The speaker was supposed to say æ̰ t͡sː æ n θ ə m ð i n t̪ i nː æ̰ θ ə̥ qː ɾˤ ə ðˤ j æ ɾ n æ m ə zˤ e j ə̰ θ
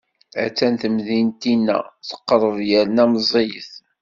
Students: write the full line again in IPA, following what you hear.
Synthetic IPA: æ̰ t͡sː æ n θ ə m ð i n t̪ i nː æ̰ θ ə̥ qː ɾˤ ə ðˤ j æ ɾ n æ m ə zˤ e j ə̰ θ

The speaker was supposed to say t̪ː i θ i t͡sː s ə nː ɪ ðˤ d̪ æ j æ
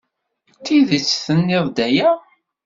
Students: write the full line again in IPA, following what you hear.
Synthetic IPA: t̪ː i ð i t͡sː θ ə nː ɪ ðˤ d̪ æ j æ

